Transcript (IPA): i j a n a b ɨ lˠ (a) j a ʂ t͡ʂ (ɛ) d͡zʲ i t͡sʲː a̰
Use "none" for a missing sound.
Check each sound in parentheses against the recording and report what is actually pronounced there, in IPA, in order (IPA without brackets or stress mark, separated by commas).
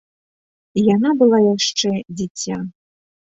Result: a, ɛ